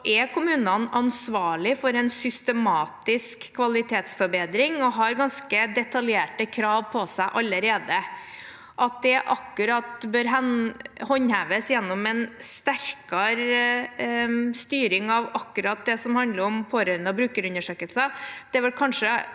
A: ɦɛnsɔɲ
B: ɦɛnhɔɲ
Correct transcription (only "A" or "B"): B